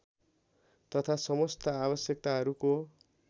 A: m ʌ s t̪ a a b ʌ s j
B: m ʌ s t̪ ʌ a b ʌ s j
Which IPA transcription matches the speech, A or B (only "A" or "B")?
B